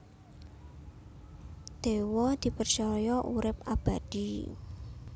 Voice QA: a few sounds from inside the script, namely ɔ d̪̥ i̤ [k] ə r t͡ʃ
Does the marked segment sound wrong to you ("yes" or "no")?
yes